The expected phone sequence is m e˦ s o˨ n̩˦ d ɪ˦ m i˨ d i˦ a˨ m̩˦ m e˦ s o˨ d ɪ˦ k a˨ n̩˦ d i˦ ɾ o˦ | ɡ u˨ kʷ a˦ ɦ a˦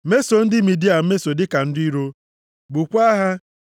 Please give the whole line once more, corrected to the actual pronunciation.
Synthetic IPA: m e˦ s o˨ n̩˦ d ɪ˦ m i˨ d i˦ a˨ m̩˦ m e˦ s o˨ d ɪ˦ k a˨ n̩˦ d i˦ ɾ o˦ | b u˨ kʷ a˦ ɦ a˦